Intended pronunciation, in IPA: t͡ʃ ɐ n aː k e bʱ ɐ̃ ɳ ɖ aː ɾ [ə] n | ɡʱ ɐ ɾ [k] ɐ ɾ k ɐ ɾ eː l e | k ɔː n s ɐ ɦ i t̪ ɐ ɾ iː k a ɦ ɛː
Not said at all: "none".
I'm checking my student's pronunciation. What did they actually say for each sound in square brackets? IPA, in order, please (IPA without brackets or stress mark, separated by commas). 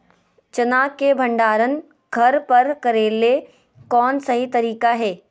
ə, p